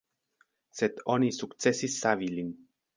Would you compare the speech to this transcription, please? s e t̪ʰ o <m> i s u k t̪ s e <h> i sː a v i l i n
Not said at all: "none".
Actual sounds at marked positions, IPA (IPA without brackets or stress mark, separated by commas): n, s